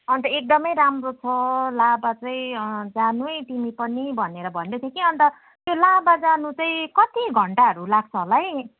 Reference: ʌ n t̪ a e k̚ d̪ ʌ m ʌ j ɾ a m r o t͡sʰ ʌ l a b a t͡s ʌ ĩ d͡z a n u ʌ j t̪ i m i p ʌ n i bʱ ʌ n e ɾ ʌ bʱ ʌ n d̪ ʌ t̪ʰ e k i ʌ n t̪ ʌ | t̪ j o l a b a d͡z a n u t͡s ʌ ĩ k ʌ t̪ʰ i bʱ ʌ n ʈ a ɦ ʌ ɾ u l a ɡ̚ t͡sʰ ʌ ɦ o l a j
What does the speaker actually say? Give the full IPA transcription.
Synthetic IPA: ʌ n t̪ ʌ e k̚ d̪ ʌ m ʌ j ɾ a m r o t͡sʰ ʌ l a b a t͡s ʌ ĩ d͡z a n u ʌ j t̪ i m i p ʌ n i bʱ ʌ n e ɾ ʌ bʱ ʌ n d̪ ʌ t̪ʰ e k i ʌ n t̪ ʌ | t̪ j o l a b a d͡z a n u t͡s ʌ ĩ k ʌ t̪ i ɡʱ ʌ ɳ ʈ a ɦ ʌ ɾ u l a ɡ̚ t͡sʰ ʌ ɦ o l a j

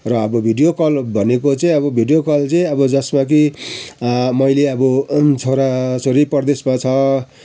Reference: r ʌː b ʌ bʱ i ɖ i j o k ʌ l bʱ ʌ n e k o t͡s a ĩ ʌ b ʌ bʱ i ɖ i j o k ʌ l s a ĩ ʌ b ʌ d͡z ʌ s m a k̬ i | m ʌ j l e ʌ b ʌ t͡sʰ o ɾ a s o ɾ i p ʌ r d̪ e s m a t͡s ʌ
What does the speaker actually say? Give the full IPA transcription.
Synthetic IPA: r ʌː b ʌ bʱ i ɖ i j o k ʌ l bʱ ʌ n e k o t͡s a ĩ ʌ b ʌ bʱ i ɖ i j o k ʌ l t͡s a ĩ ʌ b ʌ d͡z ʌ s m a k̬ i | m ʌ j l e ʌ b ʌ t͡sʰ o ɾ a s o ɾ i p ʌ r d̪ e s m a t͡sʰ ʌ

